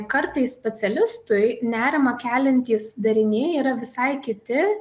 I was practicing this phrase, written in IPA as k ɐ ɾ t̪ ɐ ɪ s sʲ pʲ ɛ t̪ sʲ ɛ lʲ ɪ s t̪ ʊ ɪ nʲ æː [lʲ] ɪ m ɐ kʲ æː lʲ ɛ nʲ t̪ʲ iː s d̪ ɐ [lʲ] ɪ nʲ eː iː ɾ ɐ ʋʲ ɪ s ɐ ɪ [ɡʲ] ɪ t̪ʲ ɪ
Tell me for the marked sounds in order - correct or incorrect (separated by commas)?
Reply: incorrect, incorrect, incorrect